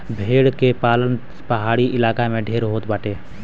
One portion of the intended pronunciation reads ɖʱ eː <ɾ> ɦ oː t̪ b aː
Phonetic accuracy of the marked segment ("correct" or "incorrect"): correct